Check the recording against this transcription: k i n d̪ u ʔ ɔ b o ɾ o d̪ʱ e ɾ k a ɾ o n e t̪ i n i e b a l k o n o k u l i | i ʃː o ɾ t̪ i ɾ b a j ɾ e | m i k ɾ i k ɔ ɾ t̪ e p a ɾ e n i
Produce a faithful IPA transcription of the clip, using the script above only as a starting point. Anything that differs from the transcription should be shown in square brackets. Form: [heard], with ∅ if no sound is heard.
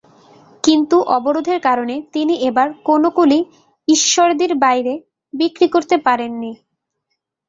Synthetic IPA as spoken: k i n [t̪] u ʔ ɔ b o ɾ o d̪ʱ e ɾ k a ɾ o n e t̪ i n i e b a [ɾ] k o n o k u l i | i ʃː o ɾ [d̪] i ɾ b a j ɾ e | [b] i k ɾ i k [o] ɾ t̪ e p a ɾ e [nː] i